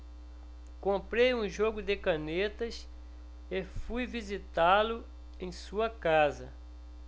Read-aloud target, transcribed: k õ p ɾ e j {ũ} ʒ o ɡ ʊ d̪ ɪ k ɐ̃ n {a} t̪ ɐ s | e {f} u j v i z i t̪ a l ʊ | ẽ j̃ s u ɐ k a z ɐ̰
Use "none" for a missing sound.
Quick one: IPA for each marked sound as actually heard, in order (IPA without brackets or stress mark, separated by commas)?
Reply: ũ, e, f